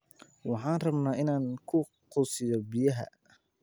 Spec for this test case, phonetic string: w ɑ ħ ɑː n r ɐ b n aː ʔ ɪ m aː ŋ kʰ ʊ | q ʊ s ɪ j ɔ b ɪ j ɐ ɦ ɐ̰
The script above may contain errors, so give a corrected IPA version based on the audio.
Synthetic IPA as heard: w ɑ ħ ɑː n r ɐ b n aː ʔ ɪ n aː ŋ kʰ ʊ | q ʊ s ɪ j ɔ b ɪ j ɐ ɦ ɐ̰